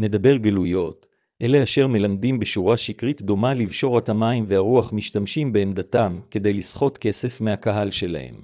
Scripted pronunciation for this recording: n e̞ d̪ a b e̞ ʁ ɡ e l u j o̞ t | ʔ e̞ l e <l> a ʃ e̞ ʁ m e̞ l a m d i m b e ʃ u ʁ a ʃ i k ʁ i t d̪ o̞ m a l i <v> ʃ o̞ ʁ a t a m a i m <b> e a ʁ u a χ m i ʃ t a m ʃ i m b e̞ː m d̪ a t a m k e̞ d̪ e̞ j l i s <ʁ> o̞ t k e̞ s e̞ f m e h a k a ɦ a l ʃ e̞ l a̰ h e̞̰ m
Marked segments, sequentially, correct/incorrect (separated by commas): incorrect, correct, incorrect, incorrect